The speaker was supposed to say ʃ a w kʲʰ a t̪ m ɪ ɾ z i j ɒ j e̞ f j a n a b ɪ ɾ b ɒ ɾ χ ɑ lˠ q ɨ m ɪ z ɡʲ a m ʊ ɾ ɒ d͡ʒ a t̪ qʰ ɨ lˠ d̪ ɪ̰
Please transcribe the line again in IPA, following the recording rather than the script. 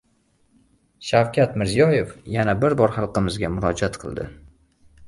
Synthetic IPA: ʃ a w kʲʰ a t̪ m ɪ ɾ z i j ɒ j e̞ f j a n a b ɪ ɾ b ɒ ɾ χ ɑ lˠ q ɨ m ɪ z ɡʲ a m ʊ ɾ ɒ d͡ʒ a t̪ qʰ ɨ lˠ d̪ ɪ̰